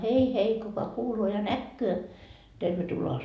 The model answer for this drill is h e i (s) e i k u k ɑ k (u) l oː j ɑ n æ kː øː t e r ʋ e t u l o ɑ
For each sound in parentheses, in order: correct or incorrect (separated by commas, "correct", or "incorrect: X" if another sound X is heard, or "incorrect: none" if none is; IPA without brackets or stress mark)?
incorrect: h, incorrect: uː